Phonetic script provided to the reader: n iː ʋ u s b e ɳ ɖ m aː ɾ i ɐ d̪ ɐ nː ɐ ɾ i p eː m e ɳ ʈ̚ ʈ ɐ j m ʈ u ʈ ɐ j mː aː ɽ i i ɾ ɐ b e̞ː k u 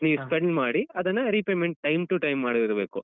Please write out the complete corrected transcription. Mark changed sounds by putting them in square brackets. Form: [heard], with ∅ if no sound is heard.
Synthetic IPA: n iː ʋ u s [p] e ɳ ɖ m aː [ɽ] i ɐ d̪ ɐ nː ɐ ɾ i p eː m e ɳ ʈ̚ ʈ ɐ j m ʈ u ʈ ɐ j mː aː ɽ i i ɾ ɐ b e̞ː k u

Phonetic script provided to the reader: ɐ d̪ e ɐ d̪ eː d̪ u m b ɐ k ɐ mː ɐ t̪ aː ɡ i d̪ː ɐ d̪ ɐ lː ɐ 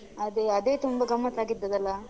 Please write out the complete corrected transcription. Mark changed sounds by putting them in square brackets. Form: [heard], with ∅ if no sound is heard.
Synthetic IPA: ɐ d̪ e ɐ d̪ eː [t̪] u m b ɐ [ɡ] ɐ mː ɐ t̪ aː ɡ i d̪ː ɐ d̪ ɐ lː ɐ

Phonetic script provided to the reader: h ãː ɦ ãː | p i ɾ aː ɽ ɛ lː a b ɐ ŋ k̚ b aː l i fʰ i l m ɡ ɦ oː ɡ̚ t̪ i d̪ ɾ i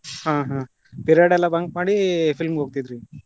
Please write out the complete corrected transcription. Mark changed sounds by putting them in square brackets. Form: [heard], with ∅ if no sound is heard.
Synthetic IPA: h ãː ɦ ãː | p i ɾ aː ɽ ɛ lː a b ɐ ŋ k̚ [m] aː [ɽ] i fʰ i l m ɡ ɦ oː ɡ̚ t̪ i d̪ ɾ i

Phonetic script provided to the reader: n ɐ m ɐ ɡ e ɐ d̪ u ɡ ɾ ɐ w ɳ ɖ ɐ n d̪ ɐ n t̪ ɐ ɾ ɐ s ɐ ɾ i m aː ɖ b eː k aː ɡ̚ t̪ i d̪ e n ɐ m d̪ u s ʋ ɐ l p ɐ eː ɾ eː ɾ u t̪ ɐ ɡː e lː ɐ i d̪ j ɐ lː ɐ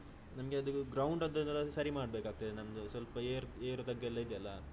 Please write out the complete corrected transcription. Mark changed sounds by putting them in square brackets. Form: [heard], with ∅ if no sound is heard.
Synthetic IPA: n ɐ m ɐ ɡ e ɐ d̪ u ɡ ɾ ɐ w ɳ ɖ ɐ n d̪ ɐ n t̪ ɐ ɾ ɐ s ɐ ɾ i m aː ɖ b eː k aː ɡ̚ t̪ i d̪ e n ɐ m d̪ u s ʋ ɐ l p ɐ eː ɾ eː ɾ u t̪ ɐ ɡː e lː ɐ i d̪ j ɐ lː ɐ

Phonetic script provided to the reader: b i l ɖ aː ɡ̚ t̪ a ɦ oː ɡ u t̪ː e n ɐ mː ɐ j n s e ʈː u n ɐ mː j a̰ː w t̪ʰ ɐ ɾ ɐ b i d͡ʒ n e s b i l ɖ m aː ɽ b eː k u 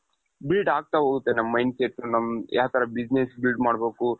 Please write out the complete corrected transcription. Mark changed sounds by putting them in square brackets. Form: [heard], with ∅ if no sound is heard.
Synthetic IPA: b i l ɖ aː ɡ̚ t̪ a ɦ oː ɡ u t̪ː e n ɐ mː ɐ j n s e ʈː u n ɐ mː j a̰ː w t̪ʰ ɐ ɾ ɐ b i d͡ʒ n e s b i l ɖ m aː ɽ b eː k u

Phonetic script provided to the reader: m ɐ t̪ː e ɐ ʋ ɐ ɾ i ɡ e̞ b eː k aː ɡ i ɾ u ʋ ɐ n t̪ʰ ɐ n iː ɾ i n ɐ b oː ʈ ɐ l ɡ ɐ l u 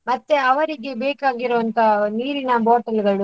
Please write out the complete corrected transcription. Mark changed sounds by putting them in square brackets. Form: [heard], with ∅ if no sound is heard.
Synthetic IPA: m ɐ t̪ː e ɐ ʋ ɐ ɾ i ɡ e̞ b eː k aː ɡ i ɾ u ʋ ɐ n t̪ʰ ɐ n iː ɾ i n ɐ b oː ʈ ɐ l ɡ ɐ [ɭ] u

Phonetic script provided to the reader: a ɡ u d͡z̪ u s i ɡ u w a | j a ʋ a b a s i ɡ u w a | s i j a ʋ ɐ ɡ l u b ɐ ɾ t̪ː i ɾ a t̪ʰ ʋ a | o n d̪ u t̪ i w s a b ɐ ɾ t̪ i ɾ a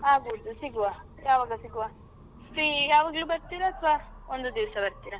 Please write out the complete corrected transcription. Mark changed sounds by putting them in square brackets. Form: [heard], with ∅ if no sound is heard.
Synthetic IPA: a ɡ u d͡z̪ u s i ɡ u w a | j a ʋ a [ɡ] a s i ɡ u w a | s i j a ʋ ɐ ɡ l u b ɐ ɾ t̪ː i ɾ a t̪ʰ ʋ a | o n d̪ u [d̪] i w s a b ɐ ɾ t̪ i ɾ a

